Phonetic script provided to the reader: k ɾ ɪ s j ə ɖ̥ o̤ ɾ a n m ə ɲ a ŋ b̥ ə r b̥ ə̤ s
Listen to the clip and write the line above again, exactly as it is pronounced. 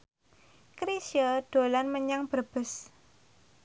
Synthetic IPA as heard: k ɾ i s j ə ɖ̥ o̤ l a n m ə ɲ a ŋ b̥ ə r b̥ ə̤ s